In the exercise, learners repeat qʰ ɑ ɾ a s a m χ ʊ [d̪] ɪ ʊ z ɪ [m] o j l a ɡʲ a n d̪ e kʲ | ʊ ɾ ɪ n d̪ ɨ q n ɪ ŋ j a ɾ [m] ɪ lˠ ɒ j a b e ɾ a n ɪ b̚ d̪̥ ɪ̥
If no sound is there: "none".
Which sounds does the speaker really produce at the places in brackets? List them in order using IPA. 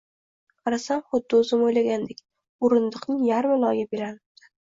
d̪ː, m, m

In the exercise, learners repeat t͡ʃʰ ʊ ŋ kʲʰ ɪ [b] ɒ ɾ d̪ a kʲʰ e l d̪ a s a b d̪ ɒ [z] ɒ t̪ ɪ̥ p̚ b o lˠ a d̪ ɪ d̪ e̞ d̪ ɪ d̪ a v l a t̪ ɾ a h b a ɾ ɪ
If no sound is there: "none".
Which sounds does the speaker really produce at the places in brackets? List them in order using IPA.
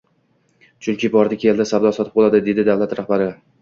b, s

